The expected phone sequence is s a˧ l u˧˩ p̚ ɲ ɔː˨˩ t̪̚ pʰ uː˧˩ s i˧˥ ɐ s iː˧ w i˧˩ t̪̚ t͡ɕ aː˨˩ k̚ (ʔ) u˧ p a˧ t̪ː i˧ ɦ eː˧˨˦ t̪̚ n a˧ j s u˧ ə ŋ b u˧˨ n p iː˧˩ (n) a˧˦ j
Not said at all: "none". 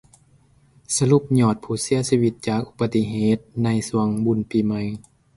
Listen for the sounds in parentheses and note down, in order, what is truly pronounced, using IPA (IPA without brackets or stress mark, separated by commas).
ʔ, m